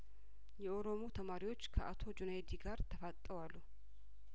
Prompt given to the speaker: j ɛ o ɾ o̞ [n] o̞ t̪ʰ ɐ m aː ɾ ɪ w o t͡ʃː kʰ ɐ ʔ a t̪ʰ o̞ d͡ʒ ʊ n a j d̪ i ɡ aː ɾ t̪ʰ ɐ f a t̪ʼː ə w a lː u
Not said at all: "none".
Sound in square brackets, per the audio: m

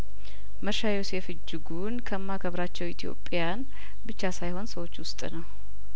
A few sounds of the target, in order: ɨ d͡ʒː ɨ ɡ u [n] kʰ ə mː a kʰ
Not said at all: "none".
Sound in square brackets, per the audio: n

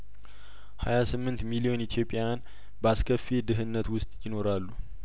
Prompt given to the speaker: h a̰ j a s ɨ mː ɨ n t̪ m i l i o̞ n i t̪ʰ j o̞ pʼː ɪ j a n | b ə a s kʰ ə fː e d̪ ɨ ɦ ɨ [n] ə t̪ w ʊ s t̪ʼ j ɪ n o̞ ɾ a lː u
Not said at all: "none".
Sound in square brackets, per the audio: nː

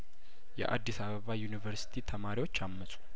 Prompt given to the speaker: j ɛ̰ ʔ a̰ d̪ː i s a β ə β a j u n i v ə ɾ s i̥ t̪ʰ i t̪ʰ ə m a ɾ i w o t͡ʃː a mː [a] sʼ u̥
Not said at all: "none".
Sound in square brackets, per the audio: ə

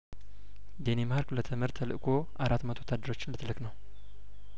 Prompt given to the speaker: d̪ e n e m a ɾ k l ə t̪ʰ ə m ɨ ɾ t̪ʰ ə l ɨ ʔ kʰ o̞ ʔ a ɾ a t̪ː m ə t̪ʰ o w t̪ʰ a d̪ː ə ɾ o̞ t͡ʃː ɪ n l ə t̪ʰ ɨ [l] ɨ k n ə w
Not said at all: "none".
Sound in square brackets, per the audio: l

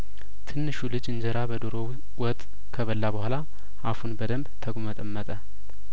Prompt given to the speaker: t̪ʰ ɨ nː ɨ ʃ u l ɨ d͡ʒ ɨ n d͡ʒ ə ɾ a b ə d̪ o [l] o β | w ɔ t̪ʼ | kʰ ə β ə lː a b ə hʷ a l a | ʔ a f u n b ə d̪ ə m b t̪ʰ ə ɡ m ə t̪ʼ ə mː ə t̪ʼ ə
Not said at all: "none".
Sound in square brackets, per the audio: ɾ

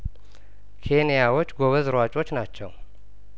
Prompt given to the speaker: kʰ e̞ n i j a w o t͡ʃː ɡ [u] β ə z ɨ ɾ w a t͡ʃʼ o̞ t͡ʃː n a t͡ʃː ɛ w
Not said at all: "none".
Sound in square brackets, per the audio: o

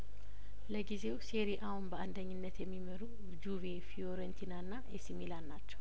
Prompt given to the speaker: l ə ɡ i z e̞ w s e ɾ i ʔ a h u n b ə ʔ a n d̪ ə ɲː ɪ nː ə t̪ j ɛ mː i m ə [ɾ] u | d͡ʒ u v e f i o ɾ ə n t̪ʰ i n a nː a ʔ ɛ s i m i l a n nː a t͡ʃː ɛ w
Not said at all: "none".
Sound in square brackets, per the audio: ɾ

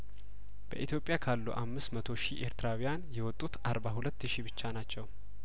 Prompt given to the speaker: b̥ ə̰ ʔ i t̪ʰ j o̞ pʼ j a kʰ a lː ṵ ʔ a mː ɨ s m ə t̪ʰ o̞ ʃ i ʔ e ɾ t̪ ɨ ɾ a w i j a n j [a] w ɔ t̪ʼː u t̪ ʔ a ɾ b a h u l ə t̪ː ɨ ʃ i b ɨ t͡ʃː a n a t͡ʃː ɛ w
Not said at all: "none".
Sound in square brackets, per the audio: ɛ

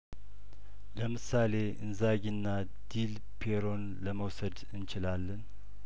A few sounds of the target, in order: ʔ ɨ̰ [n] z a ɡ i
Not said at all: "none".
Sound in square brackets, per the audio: n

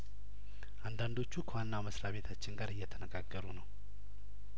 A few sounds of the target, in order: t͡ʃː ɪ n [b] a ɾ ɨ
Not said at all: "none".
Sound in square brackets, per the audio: ɡ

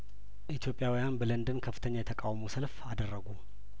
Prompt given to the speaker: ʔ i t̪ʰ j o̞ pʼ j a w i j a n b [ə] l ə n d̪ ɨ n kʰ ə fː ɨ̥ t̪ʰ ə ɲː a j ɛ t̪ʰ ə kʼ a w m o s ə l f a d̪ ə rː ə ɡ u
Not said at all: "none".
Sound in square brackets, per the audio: ə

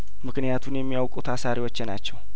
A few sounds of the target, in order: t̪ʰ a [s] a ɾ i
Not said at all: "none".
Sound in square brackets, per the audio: s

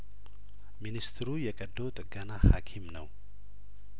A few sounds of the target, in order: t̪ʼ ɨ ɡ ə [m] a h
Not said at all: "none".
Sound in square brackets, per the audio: n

